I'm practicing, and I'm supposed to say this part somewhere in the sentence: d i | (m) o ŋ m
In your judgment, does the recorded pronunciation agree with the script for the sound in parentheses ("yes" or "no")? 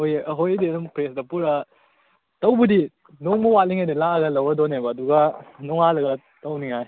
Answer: no